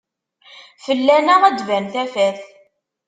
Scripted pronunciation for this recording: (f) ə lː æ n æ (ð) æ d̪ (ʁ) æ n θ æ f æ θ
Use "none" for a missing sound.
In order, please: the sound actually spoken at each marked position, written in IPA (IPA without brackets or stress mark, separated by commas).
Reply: f, ʁ, v